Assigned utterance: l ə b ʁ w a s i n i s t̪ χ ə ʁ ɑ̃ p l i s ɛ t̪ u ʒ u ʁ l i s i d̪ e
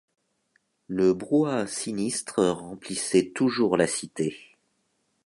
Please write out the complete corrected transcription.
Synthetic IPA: l ə b ʁ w a s i n i s t̪ χ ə ʁ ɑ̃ p l i s ɛ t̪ u ʒ u ʁ l a s i t̪ e